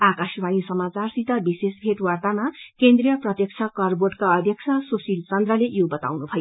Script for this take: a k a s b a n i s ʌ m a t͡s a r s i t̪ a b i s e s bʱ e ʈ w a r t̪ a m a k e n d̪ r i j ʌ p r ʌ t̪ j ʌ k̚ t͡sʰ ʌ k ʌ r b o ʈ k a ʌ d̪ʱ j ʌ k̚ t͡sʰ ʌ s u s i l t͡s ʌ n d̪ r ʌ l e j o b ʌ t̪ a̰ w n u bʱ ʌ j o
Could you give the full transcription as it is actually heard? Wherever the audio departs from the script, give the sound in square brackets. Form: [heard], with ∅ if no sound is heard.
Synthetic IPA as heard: a k a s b a n i s ʌ m a t͡s a r s i t̪ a b i s e s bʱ e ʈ w a r t̪ a m a k e n d̪ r i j ʌ p r ʌ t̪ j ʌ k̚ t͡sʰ ʌ k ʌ r b o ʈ k a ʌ d̪ʱ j ʌ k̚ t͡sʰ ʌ s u s i l t͡s ʌ n d̪ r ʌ l e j o b ʌ t̪ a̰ w n u bʱ ʌ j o